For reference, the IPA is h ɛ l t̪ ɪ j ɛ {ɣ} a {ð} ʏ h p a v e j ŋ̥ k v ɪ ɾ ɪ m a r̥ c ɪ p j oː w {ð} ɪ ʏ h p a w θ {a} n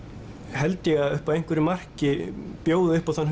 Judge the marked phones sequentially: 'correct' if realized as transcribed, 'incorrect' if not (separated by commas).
correct, correct, correct, correct